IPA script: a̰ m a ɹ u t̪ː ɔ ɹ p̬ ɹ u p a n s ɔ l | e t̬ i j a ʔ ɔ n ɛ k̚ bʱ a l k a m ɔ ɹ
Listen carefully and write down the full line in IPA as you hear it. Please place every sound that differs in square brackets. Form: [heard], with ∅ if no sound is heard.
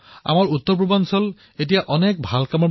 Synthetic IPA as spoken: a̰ m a ɹ u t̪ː ɔ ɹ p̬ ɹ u [b] a n s ɔ l | e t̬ i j a ʔ ɔ n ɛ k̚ bʱ a l k a m ɔ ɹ